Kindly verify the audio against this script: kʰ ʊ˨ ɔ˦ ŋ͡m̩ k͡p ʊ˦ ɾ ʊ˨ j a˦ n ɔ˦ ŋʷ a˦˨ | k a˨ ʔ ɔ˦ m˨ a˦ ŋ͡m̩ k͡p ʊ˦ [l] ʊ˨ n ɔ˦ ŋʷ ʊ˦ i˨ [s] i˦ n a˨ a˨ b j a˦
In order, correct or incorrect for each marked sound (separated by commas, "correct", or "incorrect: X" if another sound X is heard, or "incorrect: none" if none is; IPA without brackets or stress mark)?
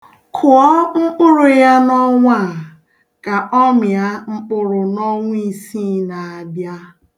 incorrect: ɾ, correct